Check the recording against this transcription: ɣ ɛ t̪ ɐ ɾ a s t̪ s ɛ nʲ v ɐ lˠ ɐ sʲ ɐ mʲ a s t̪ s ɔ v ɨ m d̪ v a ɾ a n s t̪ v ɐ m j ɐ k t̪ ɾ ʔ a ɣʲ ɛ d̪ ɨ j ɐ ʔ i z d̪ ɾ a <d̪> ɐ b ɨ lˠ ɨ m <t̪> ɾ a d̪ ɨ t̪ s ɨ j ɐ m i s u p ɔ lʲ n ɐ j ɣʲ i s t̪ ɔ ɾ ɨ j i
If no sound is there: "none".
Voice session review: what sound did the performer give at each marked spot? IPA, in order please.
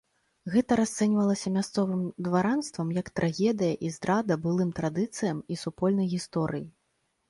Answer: d̪, t̪

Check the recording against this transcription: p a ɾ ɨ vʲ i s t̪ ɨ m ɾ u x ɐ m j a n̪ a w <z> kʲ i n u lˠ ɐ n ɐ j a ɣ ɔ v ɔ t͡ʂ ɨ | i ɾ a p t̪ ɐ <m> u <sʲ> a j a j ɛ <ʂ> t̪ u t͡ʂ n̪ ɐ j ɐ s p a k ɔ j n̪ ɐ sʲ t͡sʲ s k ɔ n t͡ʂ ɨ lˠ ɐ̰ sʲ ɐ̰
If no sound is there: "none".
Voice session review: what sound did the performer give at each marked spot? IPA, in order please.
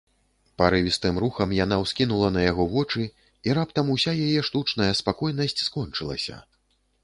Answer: s, m, sʲ, ʂ

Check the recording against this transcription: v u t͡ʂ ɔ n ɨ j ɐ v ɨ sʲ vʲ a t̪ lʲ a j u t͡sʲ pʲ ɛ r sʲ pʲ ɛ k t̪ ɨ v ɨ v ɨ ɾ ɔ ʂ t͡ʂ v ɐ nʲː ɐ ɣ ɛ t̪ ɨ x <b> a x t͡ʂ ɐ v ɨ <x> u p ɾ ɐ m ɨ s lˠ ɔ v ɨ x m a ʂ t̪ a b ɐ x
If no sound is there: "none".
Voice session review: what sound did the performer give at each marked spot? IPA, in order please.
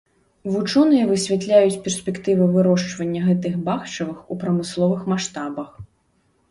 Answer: b, x

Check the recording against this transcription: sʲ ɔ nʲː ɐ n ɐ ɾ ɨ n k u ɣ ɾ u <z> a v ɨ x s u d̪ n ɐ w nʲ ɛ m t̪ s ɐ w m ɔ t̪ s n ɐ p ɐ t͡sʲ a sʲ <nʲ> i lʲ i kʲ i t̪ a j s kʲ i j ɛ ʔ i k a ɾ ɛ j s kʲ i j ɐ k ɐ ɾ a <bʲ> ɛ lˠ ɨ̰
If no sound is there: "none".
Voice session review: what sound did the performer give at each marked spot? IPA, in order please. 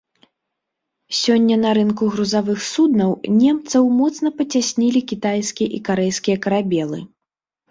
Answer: z, nʲ, bʲ

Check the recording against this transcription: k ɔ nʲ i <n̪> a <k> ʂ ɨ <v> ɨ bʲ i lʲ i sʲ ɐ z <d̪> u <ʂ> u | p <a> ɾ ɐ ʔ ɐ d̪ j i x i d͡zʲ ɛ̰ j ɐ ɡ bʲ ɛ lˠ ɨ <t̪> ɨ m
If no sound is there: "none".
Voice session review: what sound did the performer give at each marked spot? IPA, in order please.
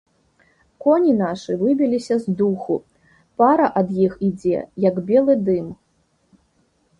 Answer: n̪, none, v, d̪, x, a, d̪

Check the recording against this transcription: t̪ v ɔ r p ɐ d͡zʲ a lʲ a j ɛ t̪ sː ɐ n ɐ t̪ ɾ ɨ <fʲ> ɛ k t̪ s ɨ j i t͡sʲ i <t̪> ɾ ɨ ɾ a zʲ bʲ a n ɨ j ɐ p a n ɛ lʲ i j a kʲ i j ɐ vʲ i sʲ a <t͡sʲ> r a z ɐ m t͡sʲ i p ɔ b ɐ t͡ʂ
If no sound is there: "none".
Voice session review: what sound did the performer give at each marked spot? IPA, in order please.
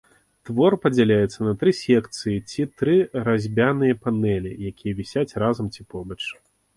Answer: sʲ, t̪, t͡sʲ

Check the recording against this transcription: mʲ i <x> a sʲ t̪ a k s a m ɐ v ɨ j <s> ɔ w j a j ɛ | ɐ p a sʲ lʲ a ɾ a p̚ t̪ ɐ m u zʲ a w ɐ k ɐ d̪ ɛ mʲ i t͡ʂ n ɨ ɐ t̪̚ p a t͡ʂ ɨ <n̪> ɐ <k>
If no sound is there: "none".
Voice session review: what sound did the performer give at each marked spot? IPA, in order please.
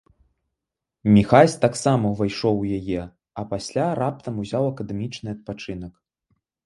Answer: x, ʂ, n̪, k

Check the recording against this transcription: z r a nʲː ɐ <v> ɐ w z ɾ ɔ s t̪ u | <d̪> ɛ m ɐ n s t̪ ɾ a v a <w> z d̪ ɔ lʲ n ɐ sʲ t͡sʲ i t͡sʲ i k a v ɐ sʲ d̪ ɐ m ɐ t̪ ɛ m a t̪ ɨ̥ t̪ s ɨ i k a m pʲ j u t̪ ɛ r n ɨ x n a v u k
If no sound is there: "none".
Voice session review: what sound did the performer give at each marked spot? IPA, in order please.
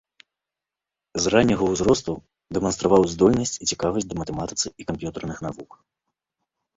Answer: ɣ, d̪, w

